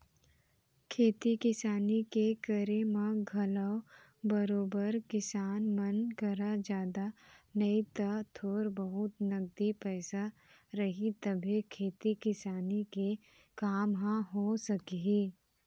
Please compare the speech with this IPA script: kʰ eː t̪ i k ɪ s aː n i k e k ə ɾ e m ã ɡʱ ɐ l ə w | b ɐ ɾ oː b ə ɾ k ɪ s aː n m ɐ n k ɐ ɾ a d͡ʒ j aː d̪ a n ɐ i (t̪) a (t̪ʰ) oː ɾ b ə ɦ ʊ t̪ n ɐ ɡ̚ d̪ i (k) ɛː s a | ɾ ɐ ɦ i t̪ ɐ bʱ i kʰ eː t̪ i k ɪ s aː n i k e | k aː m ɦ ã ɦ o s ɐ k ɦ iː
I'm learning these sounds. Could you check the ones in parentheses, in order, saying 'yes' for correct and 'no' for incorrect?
yes, yes, no

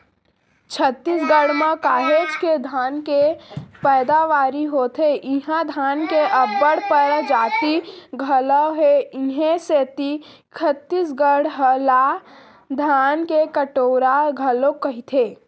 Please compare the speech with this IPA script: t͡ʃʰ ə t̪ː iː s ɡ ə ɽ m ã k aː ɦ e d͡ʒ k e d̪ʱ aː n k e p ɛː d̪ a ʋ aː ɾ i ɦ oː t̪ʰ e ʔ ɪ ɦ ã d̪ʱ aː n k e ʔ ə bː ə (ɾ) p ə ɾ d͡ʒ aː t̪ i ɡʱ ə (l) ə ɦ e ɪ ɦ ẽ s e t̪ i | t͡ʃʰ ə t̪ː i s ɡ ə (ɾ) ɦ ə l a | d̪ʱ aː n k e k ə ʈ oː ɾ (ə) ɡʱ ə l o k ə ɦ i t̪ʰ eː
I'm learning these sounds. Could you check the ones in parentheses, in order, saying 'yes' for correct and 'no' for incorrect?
no, yes, no, no

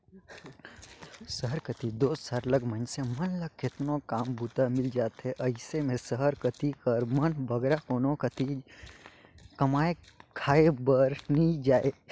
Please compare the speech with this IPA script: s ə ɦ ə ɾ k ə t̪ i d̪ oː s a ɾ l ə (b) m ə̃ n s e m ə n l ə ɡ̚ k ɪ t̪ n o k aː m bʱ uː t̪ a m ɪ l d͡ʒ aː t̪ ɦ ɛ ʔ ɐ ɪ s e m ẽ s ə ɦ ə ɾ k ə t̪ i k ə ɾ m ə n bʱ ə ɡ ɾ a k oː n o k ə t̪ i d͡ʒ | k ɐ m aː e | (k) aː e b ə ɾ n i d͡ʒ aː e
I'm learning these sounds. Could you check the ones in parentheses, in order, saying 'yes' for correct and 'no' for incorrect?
no, no

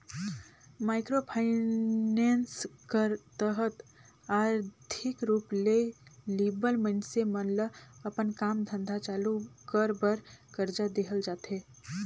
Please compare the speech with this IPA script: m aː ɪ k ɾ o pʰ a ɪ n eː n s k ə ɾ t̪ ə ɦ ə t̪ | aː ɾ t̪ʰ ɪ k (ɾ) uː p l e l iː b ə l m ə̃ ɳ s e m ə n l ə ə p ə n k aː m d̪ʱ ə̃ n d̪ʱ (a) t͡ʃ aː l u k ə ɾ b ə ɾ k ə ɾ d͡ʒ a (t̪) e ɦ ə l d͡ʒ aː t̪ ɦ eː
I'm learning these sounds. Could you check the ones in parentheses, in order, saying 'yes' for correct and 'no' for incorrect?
yes, yes, no

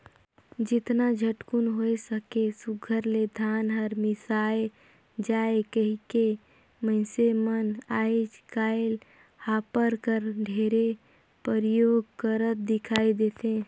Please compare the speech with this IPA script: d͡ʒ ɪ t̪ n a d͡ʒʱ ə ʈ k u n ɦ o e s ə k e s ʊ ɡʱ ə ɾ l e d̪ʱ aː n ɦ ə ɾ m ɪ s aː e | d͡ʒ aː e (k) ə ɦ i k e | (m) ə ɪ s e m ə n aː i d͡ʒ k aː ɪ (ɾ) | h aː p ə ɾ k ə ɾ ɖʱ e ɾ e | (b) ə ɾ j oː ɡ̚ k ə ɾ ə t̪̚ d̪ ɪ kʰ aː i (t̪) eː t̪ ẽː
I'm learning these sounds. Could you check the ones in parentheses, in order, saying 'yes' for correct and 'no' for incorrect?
yes, yes, no, no, no

